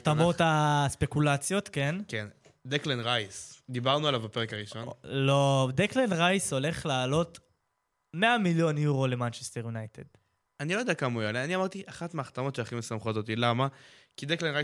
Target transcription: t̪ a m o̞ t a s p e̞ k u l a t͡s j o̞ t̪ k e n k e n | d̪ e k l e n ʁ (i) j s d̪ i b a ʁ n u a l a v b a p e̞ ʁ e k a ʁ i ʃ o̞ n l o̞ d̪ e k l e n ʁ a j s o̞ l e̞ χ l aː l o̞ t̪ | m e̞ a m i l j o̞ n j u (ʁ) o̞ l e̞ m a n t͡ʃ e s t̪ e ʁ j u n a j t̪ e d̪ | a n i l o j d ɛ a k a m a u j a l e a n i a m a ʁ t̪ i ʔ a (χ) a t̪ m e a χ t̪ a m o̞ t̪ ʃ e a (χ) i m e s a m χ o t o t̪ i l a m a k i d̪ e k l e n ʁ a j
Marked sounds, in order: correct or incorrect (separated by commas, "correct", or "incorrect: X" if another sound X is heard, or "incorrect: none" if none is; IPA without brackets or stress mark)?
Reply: incorrect: a, correct, correct, correct